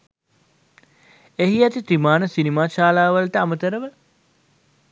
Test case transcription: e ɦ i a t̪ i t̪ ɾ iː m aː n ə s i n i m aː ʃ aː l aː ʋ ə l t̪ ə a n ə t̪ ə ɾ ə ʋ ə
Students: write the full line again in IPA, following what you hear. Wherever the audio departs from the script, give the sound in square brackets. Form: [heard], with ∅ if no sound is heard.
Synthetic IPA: e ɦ i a t̪ i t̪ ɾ [i] m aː n ə s i n i m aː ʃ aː l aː ʋ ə l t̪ ə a [m] ə t̪ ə ɾ ə ʋ ə